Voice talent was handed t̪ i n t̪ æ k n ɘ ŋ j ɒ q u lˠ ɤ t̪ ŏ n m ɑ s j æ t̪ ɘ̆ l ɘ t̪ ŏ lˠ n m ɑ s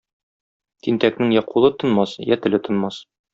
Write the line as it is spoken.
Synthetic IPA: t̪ i n t̪ æ k n ɘ ŋ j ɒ q u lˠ ɤ t̪ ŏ n m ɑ s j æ t̪ ɘ̆ l ɘ t̪ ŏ n m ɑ s